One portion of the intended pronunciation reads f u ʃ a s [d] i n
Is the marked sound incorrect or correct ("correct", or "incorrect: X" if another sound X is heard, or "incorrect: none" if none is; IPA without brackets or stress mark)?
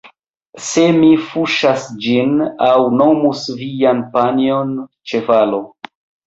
incorrect: d͡ʒ